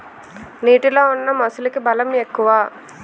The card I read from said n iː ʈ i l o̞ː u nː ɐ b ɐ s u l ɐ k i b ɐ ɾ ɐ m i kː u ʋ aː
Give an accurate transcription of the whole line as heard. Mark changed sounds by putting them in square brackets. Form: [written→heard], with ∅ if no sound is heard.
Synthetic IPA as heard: n iː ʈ i l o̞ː u nː ɐ [b→m] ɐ s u l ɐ k i b ɐ [ɾ→l] ɐ m [i→e] kː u ʋ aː